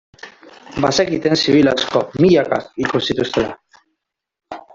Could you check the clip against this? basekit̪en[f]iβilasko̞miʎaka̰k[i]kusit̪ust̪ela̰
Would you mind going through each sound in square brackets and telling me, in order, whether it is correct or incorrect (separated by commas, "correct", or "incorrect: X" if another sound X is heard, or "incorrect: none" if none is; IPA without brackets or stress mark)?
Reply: incorrect: s, correct